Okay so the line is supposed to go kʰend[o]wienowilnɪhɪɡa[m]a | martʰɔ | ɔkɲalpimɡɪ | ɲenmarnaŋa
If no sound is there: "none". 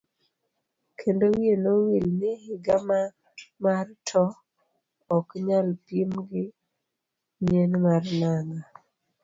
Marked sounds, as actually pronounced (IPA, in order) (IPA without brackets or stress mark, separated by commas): o, m